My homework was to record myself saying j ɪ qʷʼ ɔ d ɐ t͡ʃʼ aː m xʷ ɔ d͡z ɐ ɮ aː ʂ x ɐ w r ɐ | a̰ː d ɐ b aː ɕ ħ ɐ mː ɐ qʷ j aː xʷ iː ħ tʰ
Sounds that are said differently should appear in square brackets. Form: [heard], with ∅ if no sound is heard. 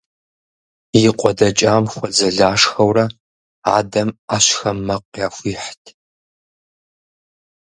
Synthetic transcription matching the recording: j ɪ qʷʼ ɔ d ɐ t͡ʃʼ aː m xʷ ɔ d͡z ɐ ɮ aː ʂ x ɐ w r ɐ | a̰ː d ɐ [m] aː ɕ [x] ɐ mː ɐ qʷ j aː xʷ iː ħ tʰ